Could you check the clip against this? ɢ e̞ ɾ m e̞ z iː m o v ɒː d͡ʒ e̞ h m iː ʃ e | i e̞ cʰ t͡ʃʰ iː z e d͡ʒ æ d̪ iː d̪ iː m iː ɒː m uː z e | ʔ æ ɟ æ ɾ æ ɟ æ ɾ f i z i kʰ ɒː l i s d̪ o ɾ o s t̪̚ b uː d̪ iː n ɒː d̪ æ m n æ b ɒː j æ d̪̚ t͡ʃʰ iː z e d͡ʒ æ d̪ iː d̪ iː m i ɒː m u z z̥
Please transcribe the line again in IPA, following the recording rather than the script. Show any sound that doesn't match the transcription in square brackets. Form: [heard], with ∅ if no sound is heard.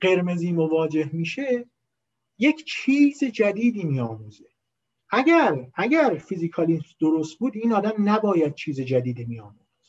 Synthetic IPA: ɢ e̞ ɾ m e̞ z iː m o v ɒː d͡ʒ e̞ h m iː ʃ e | [j] e̞ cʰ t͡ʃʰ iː z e d͡ʒ æ d̪ iː d̪ iː m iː ɒː m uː z e | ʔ æ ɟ æ ɾ æ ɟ æ ɾ f i z i kʰ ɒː l i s d̪ o ɾ o s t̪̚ b uː d̪ iː n ɒː d̪ æ m n æ b ɒː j æ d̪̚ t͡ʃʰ iː z e d͡ʒ æ d̪ iː d̪ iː m i ɒː m u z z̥